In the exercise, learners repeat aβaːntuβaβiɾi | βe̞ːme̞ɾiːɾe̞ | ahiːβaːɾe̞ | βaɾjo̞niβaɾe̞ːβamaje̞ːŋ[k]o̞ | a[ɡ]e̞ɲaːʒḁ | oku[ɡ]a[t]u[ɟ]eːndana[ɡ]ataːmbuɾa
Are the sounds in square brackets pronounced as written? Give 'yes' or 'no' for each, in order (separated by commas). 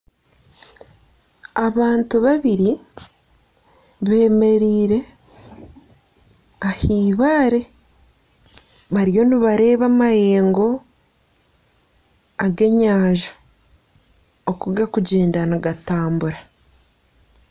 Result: no, yes, yes, no, yes, yes